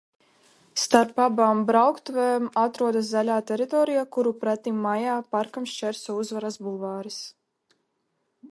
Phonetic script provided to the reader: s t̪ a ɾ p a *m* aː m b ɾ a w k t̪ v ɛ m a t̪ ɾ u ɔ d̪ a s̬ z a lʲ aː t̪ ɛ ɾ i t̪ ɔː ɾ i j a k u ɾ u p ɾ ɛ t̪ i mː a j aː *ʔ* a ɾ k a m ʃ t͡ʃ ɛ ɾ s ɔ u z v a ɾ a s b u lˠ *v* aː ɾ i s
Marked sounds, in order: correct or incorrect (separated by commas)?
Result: incorrect, incorrect, correct